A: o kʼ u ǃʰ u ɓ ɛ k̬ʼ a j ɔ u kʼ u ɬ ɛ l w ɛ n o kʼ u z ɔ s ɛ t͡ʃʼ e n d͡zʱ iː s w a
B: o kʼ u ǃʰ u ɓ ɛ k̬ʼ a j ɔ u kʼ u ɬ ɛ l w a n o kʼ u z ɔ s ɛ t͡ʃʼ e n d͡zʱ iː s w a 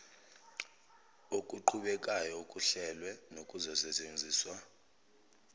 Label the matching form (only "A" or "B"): A